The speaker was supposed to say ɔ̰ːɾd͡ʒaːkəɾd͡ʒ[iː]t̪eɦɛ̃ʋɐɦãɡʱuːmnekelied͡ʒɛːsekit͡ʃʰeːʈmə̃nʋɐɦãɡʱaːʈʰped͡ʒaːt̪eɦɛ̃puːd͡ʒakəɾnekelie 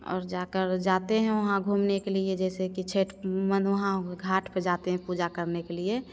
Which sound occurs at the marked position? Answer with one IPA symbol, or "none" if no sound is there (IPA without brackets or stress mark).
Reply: aː